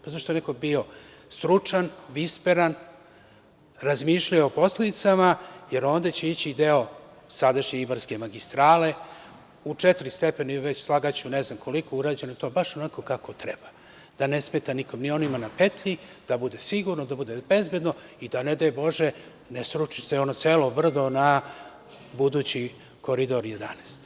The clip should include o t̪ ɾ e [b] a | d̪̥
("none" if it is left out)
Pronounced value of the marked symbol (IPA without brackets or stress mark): b